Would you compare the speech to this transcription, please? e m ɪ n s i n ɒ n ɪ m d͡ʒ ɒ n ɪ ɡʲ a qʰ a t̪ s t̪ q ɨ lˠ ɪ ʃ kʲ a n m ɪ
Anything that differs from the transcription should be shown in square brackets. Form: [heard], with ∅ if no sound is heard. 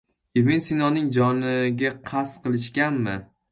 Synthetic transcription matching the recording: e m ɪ n s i n ɒ n ɪ [ŋ] d͡ʒ ɒ n ɪ ɡʲ a qʰ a [∅] s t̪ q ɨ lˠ ɪ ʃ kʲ a n m ɪ